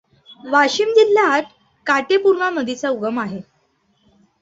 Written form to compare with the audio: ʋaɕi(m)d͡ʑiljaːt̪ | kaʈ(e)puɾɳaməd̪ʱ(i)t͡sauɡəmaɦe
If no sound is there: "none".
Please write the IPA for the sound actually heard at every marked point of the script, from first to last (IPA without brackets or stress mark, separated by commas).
m, e, i